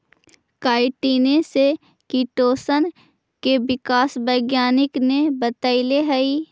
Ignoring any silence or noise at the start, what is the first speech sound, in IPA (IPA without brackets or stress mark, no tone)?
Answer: k